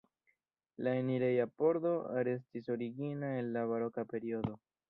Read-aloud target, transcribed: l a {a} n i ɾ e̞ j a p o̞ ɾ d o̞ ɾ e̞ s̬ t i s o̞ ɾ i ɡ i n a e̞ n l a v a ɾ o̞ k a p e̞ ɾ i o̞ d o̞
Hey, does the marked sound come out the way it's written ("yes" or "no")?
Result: no